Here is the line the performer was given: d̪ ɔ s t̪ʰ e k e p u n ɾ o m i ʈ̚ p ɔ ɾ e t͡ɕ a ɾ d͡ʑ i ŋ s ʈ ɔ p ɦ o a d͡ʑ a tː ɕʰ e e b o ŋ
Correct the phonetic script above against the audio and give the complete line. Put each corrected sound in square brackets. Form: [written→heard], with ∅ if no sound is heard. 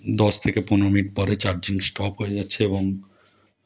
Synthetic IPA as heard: d̪ ɔ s t̪ʰ e k e p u n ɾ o m i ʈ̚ p ɔ ɾ e t͡ɕ a ɾ d͡ʑ i ŋ s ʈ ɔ p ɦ o [a→e] d͡ʑ a tː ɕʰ e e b o ŋ